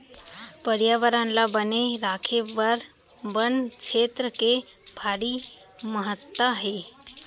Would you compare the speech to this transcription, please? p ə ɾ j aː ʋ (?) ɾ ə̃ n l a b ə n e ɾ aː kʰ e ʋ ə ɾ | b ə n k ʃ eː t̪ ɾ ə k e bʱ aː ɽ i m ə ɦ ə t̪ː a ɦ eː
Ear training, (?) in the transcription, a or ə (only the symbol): ə